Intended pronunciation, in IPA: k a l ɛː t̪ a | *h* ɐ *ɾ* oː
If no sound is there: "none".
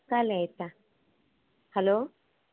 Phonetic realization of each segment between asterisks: h, l

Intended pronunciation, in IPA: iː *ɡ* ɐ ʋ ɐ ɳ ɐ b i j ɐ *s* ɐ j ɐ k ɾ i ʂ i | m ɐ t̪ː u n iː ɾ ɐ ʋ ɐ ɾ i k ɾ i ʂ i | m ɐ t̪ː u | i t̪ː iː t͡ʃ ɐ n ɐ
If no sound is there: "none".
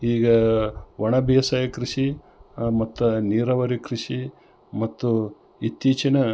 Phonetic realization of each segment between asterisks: ɡ, s

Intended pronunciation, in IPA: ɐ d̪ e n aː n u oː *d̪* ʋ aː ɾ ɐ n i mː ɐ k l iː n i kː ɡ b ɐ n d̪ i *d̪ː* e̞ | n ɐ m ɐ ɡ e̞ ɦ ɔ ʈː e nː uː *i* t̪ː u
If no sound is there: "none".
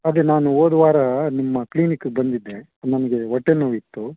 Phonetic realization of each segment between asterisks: d̪, d̪ː, i

